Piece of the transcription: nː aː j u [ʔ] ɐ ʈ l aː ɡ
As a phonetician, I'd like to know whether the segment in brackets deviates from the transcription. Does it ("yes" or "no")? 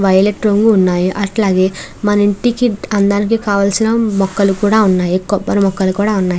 no